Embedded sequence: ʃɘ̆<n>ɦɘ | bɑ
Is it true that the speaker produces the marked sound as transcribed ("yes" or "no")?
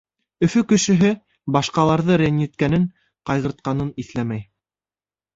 no